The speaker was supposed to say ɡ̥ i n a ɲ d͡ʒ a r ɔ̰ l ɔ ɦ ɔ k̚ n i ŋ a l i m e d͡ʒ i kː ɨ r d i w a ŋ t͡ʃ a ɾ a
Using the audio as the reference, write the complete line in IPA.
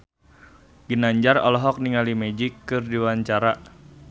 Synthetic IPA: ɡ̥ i n a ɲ d͡ʒ a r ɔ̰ l ɔ ɦ ɔ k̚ n i ŋ a l i m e d͡ʒ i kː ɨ r d i w a ɲ t͡ʃ a ɾ a